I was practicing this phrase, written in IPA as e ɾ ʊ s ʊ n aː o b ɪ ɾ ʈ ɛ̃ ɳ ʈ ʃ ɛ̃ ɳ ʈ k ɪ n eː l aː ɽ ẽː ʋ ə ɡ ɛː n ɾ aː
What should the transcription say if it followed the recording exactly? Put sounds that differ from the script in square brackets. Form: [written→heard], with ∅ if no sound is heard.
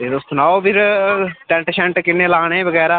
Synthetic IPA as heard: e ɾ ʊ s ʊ n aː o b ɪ ɾ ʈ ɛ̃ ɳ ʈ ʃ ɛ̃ ɳ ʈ k ɪ n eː l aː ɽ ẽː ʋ ə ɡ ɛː [n→∅] ɾ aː